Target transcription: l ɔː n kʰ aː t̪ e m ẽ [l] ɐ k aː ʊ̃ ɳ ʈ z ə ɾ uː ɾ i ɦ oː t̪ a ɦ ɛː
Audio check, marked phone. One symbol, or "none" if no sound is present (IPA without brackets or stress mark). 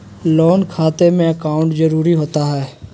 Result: none